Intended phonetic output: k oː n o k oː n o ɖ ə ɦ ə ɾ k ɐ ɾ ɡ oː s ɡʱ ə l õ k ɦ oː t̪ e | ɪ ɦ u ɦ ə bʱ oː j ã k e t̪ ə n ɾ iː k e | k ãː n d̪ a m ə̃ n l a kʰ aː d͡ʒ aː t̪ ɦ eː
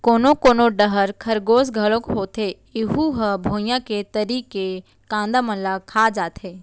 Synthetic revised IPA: k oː n o k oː n o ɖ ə ɦ ə ɾ kʰ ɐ ɾ ɡ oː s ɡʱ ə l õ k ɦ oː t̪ e | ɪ ɦ u ɦ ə bʱ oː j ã k e t̪ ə ɾ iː k e | k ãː n d̪ a m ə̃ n l a kʰ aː d͡ʒ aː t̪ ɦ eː